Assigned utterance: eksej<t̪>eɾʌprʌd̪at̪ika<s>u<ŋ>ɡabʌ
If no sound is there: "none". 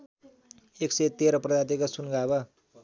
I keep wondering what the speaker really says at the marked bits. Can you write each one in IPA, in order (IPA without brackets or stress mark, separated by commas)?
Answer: t̪, s, n